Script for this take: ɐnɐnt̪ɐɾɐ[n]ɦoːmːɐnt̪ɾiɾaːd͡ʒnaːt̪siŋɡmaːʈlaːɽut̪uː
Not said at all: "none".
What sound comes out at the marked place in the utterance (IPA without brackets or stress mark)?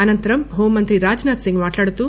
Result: m